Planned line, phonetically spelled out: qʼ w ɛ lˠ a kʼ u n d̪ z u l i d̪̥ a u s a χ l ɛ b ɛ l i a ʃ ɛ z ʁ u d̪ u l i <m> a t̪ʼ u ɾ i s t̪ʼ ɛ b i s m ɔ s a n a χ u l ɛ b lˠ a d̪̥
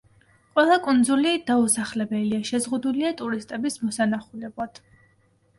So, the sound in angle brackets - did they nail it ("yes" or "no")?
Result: no